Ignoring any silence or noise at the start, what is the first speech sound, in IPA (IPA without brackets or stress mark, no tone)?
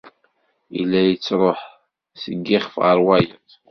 i